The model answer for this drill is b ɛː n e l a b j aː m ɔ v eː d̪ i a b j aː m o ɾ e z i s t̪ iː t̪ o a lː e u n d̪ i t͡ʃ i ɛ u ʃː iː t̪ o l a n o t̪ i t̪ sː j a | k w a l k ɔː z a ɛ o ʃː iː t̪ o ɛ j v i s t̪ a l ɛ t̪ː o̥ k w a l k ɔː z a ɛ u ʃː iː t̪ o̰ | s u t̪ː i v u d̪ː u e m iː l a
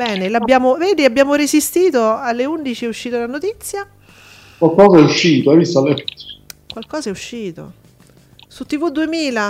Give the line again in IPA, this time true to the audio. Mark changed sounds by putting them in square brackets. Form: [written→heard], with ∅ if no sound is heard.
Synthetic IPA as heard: b ɛː n e l a b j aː m [ɔ→o] v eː d̪ i a b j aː m o ɾ e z i s t̪ iː t̪ o a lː e u n d̪ i t͡ʃ i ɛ u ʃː iː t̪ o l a n o t̪ i t̪ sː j a | k w a l k ɔː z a ɛ [o→u] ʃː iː t̪ o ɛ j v i s t̪ a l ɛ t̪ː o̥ k w a l k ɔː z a ɛ u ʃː iː t̪ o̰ | s u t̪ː i v u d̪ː u e m iː l a